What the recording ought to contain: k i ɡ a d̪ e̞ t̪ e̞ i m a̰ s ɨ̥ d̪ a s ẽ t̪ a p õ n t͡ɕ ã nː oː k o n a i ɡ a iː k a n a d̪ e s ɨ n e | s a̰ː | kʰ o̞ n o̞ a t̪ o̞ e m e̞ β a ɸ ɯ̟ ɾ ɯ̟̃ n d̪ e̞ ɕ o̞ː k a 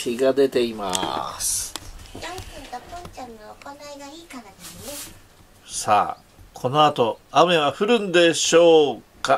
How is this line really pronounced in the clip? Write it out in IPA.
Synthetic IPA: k i ɡ a d̪ e̞ t̪ e̞ i m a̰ s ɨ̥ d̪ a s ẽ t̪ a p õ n t͡ɕ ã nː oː k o n a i ɡ a iː k a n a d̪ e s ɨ n e | s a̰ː | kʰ o̞ n o̞ a t̪ o̞ a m e̞ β a ɸ ɯ̟ ɾ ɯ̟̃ n d̪ e̞ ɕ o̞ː k a